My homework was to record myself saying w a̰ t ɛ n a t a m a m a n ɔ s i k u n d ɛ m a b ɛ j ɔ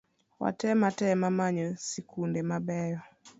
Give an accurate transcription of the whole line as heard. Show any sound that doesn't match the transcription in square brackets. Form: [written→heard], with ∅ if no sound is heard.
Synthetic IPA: w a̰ t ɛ [n→m] a t [a→ɛ] m a m a [n→ɲ] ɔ s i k u n d ɛ m a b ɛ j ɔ